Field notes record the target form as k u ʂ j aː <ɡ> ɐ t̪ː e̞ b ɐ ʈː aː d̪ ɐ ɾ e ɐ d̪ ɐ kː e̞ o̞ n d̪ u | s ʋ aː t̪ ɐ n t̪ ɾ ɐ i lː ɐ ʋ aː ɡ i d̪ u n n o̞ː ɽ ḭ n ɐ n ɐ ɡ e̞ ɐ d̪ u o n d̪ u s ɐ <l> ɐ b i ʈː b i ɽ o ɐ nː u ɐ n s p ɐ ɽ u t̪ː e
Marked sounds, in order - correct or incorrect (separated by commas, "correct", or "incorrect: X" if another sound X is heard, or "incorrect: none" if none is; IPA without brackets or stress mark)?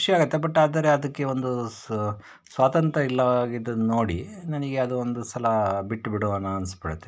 correct, correct